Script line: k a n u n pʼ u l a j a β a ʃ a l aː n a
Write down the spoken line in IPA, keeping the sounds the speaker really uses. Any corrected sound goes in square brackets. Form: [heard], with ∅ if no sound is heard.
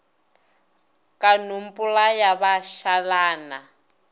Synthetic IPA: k a n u [m] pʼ u l a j a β a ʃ a l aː n a